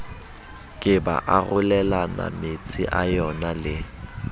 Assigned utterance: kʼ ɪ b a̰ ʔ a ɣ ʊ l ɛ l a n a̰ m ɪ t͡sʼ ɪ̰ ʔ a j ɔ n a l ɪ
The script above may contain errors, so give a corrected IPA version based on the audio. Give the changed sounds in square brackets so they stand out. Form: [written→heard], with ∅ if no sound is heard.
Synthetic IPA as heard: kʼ ɪ b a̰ ʔ a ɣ ʊ l ɛ l a n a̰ m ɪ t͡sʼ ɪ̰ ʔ a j ɔ n a l ɪ